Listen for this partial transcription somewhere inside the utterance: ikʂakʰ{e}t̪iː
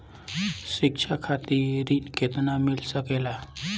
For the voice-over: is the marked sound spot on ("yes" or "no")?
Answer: no